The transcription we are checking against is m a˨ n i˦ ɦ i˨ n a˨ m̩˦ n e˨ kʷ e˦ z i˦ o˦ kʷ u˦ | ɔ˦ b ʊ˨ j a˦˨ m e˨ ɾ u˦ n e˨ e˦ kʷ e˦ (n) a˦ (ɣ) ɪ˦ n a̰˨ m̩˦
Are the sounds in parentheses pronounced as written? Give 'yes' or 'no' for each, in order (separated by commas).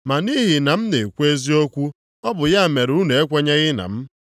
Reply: no, yes